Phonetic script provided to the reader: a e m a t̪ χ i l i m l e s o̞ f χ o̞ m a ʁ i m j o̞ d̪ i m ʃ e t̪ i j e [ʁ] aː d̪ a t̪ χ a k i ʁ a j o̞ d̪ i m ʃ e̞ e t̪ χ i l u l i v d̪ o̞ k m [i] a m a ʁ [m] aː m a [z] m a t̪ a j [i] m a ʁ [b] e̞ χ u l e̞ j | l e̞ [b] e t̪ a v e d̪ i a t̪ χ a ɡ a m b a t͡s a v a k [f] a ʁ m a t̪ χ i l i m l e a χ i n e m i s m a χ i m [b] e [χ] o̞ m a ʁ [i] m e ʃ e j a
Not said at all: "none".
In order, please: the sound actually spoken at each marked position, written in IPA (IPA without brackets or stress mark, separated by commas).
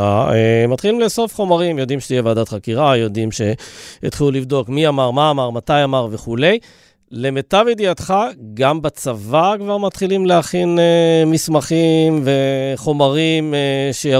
v, i, m, ʁ, a, v, m, v, v, χ, i